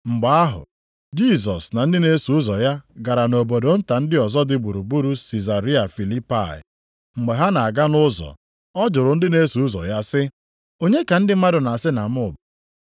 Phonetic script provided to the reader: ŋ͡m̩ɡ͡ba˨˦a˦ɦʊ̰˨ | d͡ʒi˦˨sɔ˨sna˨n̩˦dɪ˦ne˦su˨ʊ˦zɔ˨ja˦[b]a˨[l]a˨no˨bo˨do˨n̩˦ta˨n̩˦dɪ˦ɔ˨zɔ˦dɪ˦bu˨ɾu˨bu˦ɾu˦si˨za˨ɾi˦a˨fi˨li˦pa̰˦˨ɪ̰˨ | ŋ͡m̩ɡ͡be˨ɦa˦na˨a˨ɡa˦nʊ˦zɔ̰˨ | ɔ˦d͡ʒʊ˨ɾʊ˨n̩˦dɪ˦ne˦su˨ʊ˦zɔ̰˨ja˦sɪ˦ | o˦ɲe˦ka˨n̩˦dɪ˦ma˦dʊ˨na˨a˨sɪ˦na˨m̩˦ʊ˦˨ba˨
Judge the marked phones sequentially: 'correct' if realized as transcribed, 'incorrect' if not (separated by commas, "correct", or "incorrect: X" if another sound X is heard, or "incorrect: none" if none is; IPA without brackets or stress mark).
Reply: incorrect: ɡ, incorrect: ɾ